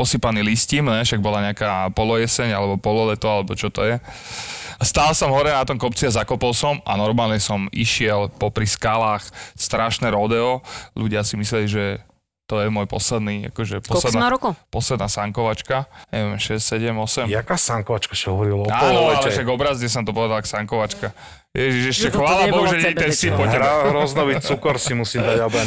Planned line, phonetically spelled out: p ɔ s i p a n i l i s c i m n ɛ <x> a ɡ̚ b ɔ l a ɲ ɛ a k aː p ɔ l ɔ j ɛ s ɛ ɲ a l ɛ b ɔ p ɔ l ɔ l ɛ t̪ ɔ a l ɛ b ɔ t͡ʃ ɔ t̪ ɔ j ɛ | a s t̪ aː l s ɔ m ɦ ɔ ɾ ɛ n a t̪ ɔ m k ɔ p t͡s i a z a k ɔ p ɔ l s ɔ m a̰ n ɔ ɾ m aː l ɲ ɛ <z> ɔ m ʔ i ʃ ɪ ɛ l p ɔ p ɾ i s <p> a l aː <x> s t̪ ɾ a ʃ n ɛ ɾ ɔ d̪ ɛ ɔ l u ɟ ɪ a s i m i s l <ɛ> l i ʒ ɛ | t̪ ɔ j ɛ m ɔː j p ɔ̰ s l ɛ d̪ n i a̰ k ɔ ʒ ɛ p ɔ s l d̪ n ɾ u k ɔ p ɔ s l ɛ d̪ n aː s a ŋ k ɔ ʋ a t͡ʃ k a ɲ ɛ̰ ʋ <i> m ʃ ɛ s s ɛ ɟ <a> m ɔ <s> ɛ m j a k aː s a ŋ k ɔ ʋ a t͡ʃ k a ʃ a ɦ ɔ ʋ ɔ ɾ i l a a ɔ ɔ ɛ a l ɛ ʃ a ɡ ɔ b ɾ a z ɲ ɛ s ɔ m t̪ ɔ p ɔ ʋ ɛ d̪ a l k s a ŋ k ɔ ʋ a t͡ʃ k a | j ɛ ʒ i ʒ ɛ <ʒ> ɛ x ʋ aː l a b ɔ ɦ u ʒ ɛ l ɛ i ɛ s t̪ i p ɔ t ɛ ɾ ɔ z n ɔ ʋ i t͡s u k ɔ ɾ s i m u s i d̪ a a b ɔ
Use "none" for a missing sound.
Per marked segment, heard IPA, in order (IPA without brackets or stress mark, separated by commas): ʃ, s, k, x, ɛ, ɛ, ɛ, s, ʃ